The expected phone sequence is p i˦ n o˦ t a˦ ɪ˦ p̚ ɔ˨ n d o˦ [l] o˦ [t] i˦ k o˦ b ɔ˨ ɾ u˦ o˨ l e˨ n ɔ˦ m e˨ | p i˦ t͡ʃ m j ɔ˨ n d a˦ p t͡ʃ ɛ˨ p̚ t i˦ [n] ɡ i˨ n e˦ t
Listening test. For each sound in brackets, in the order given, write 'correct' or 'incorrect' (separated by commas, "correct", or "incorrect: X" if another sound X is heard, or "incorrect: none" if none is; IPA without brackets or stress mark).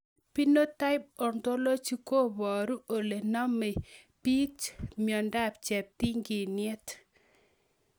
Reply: correct, incorrect: t͡ʃ, incorrect: ŋ